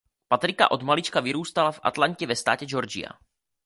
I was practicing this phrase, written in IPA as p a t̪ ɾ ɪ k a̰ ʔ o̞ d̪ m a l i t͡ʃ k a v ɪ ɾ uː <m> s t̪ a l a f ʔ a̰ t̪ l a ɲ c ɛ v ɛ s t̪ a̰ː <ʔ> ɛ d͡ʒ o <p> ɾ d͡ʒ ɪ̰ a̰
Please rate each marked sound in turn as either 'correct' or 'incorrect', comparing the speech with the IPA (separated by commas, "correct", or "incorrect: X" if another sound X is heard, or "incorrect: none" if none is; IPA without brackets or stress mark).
incorrect: none, incorrect: c, incorrect: none